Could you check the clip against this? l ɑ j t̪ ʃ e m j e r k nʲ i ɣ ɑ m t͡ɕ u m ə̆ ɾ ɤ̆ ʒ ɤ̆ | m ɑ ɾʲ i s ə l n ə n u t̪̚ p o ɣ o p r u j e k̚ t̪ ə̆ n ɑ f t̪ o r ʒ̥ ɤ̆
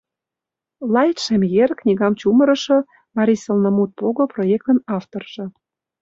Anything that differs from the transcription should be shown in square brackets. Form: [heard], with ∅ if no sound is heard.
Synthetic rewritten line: l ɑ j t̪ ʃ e m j e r k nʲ i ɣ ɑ m t͡ɕ u m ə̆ ɾ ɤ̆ [ʃ] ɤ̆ | m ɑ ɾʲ i s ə l n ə [m] u t̪̚ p o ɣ o p r [o] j e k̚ t̪ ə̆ n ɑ f t̪ o r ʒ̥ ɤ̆